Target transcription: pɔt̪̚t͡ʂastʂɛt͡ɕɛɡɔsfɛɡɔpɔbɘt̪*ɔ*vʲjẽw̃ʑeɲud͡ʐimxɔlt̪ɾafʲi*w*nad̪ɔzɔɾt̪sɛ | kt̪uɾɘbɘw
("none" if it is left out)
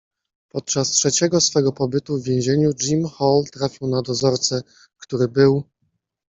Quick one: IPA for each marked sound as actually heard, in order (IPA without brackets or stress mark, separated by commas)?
u, w